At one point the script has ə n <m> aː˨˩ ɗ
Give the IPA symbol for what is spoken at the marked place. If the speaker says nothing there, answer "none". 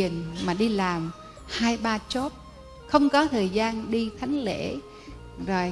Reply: m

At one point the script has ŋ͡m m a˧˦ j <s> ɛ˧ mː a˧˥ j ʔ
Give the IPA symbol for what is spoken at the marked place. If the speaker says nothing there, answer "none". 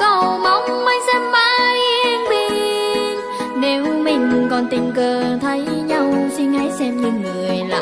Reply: s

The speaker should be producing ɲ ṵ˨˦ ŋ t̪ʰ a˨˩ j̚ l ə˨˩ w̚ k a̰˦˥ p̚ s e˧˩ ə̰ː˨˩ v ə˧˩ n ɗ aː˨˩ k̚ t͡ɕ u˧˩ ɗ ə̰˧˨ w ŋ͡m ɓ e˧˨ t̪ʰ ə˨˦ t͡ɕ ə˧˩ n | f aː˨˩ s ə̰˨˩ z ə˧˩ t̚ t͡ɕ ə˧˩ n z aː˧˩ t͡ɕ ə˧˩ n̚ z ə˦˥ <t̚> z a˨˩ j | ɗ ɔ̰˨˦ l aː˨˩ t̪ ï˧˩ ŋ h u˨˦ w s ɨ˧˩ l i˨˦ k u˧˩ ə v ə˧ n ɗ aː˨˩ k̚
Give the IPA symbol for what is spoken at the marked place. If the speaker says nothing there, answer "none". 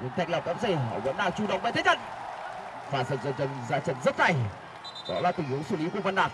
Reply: t̚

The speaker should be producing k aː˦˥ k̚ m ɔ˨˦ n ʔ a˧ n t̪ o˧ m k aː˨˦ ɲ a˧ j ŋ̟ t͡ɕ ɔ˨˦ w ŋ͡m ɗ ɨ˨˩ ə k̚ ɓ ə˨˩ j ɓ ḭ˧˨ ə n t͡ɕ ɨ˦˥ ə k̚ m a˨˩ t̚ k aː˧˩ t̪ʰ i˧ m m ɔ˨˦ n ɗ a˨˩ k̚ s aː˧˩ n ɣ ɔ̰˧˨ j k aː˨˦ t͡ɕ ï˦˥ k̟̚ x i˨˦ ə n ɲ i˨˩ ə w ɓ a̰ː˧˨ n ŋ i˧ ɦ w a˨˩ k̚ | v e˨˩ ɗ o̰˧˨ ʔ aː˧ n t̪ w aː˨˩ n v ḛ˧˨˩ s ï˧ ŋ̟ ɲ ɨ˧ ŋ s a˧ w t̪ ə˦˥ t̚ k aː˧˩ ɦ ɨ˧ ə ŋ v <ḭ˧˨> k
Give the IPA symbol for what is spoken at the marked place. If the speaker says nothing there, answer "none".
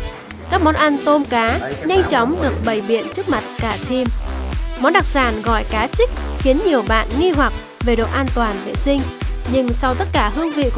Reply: ḭ˧˨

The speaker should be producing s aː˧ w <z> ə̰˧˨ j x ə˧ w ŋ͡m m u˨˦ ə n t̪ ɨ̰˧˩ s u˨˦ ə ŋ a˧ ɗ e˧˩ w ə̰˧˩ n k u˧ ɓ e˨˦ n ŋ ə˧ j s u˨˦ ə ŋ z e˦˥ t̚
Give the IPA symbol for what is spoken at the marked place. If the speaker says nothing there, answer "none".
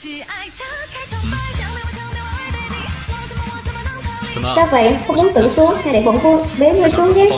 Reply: v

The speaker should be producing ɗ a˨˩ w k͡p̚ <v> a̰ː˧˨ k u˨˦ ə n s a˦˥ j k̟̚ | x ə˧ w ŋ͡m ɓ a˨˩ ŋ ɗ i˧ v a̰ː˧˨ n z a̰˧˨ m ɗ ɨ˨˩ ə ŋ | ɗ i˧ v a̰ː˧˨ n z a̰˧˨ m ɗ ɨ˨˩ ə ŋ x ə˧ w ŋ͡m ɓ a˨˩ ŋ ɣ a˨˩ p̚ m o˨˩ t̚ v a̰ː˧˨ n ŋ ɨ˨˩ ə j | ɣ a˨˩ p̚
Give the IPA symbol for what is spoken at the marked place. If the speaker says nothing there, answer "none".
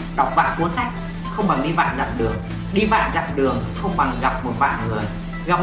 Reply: v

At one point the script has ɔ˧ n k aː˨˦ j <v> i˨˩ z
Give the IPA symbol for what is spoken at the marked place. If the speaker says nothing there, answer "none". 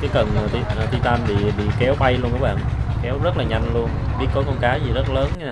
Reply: z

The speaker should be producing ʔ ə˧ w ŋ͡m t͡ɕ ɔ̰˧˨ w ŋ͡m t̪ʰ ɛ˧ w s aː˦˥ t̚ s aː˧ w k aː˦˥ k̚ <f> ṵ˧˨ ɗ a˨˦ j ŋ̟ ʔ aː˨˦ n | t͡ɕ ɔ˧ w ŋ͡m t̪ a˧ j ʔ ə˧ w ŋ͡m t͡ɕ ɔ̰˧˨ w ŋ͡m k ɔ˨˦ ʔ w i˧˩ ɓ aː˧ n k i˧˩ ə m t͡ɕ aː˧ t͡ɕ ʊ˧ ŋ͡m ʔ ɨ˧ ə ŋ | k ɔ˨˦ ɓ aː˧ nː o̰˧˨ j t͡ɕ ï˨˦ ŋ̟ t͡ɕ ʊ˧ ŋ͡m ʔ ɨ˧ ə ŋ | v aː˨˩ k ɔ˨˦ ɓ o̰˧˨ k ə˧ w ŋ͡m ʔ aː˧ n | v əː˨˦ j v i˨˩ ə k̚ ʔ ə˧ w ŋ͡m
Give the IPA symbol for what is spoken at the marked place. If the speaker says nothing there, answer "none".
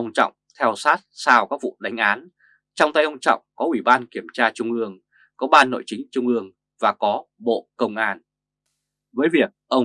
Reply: v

